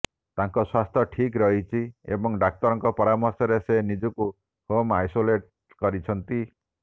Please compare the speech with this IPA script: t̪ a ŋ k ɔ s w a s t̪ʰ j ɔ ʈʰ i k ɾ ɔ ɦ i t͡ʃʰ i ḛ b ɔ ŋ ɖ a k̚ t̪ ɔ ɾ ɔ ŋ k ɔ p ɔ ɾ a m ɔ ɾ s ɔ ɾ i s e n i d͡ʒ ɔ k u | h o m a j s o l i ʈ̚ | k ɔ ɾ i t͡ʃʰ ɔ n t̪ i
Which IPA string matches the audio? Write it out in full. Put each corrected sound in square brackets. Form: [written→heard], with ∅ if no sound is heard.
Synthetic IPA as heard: t̪ a ŋ k ɔ s w a s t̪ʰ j ɔ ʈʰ i k ɾ ɔ ɦ i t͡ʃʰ i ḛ b ɔ ŋ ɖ a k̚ t̪ ɔ ɾ ɔ ŋ k ɔ p ɔ ɾ a m ɔ ɾ s ɔ ɾ [i→e] s e n i d͡ʒ ɔ k u | h o m a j s o l [i→e] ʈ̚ | k ɔ ɾ i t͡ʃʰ ɔ n t̪ i